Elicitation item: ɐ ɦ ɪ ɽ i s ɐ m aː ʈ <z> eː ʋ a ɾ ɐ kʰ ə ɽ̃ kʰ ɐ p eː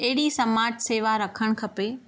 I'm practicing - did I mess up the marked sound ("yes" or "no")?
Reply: yes